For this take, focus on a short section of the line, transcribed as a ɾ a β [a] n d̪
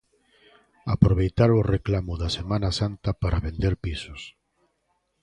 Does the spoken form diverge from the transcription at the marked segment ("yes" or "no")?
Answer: yes